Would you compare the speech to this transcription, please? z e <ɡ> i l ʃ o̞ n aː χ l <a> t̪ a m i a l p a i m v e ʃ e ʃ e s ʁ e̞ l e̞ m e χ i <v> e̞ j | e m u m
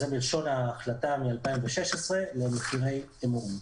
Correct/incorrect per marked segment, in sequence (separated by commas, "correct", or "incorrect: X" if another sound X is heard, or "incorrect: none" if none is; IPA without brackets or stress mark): incorrect: b, correct, incorrect: ʁ